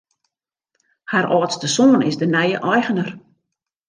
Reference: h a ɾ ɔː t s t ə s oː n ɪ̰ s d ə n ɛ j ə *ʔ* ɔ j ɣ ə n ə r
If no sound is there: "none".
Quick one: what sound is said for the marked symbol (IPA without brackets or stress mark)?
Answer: ʔ